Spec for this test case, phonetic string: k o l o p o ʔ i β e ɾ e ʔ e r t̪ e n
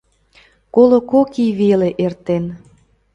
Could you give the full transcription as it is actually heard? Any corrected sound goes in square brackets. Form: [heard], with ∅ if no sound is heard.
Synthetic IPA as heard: k o l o [k] o [k] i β e [l] e ʔ e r t̪ e n